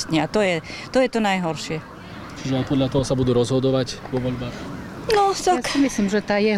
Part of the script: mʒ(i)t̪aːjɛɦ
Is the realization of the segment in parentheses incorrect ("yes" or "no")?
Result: yes